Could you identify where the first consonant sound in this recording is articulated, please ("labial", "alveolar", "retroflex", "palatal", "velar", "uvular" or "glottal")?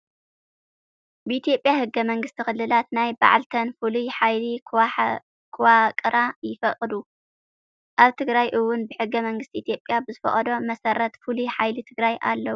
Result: labial